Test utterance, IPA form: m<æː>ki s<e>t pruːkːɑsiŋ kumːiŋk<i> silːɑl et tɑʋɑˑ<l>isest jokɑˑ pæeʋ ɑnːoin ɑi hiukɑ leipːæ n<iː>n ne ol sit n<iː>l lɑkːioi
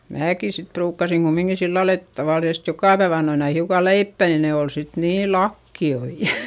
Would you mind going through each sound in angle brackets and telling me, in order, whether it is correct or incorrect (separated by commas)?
correct, incorrect, correct, correct, incorrect, correct